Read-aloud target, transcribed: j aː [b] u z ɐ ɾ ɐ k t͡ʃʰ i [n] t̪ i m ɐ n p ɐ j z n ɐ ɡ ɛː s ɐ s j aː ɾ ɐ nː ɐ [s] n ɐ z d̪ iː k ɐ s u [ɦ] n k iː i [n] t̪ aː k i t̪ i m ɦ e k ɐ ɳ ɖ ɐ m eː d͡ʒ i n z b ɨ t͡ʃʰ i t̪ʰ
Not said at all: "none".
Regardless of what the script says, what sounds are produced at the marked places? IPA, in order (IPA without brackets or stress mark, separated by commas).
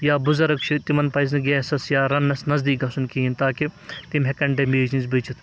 b, none, s, none, n